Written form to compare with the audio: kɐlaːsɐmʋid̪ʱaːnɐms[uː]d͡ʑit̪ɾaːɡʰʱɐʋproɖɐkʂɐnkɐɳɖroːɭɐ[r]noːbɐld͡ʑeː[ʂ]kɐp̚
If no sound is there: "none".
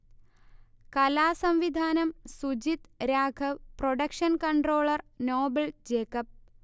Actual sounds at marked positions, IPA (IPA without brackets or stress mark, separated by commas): u, r, none